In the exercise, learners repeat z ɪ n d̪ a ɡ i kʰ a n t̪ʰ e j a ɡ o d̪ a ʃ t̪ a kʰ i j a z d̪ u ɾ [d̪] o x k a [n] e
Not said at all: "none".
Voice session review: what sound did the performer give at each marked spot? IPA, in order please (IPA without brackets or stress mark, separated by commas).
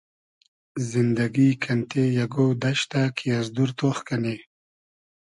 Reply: t̪, n